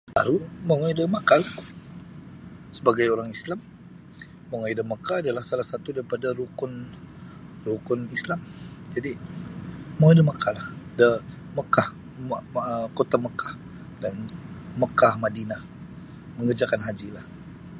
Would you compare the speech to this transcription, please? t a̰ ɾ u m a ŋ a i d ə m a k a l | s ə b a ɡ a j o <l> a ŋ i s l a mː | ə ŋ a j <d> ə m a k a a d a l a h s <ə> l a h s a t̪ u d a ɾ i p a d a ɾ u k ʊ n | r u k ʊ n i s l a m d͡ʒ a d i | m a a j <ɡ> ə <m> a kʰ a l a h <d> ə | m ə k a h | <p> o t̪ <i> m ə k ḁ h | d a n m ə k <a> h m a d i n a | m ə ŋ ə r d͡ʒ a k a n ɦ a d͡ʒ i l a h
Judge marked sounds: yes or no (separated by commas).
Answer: no, yes, no, no, yes, yes, no, no, yes